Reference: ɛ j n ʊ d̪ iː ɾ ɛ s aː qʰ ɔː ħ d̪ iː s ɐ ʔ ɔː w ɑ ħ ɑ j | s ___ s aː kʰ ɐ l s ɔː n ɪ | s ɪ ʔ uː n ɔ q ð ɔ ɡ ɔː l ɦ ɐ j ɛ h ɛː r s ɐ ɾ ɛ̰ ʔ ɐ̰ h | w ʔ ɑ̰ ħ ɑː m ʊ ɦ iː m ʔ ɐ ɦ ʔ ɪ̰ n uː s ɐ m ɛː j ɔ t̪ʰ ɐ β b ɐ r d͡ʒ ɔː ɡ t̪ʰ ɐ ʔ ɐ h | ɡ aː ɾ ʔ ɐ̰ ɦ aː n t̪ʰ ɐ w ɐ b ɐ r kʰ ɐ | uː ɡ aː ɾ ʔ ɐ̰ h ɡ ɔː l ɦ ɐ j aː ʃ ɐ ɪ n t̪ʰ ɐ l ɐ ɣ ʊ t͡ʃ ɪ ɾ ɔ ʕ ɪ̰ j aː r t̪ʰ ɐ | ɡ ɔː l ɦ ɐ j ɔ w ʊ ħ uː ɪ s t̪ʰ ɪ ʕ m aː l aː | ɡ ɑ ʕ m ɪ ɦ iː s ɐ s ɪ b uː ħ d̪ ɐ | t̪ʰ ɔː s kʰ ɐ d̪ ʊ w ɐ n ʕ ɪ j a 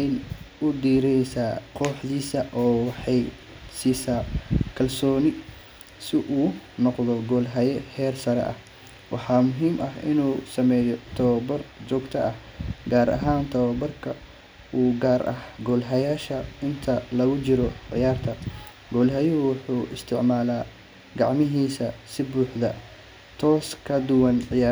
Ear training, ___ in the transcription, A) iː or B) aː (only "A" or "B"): A